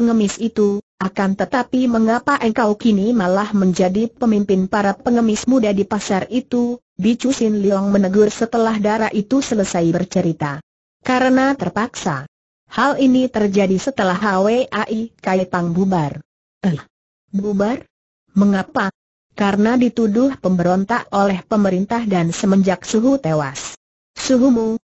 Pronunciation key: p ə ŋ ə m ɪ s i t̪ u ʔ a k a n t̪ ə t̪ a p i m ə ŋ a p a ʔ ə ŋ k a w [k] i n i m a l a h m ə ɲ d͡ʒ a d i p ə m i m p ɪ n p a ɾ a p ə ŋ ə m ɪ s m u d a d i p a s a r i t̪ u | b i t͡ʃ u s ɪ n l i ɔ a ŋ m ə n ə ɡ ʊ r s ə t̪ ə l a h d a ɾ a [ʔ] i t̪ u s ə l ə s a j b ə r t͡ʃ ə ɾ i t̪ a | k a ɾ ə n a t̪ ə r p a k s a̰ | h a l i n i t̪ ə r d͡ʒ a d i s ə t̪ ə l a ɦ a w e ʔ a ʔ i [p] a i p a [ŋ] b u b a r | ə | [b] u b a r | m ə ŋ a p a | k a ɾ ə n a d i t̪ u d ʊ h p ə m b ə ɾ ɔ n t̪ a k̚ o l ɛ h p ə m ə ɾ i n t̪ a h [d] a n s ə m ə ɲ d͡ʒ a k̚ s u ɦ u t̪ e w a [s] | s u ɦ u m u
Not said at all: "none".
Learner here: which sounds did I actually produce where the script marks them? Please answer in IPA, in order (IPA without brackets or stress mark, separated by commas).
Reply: k, ʔ, k, ŋ, b, d, s